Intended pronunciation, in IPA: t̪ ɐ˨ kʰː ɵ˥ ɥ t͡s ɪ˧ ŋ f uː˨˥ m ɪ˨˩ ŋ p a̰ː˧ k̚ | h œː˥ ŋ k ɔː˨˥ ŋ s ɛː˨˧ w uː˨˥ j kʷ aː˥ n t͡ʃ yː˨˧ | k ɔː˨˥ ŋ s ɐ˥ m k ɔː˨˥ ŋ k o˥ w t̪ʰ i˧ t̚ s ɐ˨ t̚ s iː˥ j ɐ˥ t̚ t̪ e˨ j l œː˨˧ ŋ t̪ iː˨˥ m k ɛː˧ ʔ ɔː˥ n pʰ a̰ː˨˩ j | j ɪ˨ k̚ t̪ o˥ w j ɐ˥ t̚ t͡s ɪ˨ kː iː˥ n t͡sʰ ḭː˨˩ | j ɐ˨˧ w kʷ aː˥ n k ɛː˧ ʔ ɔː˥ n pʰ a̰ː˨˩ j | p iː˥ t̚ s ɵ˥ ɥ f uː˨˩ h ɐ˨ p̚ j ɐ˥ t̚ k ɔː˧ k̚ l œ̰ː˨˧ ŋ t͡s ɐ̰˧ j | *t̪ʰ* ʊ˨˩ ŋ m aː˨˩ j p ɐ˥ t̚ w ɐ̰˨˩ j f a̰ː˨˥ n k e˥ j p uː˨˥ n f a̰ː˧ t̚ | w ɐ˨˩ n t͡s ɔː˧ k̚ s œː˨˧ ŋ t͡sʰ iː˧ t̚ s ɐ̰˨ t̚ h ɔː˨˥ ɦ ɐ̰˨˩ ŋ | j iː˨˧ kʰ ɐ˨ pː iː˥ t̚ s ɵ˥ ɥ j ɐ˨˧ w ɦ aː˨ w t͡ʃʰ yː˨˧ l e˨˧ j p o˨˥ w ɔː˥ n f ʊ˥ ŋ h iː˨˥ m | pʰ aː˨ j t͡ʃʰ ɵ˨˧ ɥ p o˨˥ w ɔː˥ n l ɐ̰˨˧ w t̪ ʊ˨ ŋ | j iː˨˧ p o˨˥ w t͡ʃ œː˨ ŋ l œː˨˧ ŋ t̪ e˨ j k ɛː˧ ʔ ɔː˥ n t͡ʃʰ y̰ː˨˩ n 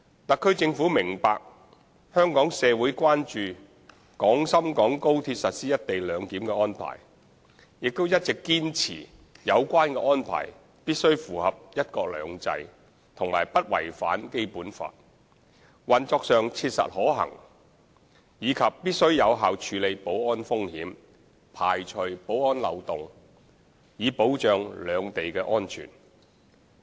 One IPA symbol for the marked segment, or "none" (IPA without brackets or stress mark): t̪ʰ